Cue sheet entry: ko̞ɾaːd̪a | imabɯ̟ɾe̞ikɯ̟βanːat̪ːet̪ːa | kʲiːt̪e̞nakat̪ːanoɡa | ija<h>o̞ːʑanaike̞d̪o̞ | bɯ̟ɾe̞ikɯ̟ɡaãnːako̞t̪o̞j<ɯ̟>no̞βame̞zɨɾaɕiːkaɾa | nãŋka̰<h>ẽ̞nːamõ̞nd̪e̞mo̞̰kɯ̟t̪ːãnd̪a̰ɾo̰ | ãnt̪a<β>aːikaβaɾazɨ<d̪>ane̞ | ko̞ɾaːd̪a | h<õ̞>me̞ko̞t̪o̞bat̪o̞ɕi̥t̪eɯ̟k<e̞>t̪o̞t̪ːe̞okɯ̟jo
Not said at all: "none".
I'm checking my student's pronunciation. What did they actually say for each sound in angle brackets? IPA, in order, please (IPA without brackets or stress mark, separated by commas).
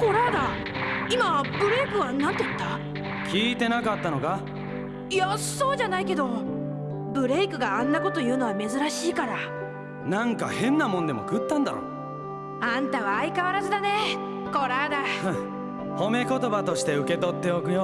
s, ɯ̟ː, h, β, d̪, o̞, e̞